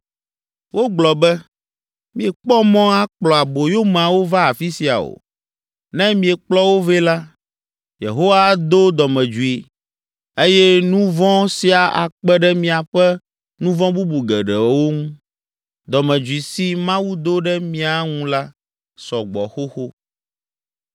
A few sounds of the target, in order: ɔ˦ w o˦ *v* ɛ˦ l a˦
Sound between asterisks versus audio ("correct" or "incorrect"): correct